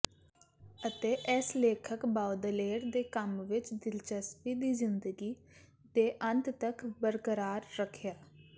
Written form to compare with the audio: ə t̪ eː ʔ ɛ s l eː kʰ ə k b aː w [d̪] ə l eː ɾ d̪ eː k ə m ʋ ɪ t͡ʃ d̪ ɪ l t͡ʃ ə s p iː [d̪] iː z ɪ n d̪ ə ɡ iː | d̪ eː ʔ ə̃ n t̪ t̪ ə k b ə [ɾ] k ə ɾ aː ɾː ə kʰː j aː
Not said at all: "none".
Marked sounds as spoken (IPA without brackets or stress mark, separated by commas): d̪, d̪, ɾ